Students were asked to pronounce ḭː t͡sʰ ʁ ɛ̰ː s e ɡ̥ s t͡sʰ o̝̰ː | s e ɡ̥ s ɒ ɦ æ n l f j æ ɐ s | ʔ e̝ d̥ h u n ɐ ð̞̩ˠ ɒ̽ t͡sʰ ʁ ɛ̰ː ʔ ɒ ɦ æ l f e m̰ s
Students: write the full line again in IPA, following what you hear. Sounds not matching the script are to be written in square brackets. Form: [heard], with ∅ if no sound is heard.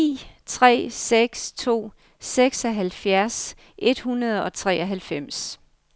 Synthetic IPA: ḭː t͡sʰ ʁ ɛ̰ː s e ɡ̥ s t͡sʰ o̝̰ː | s e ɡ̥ s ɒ ɦ æ [∅] l f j æ ɐ s | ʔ e̝ d̥ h u n ɐ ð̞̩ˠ ɒ̽ t͡sʰ ʁ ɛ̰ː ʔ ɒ ɦ æ l f e m̰ s